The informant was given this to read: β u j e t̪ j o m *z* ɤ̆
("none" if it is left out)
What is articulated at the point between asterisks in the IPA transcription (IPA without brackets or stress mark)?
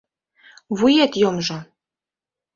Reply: ʒ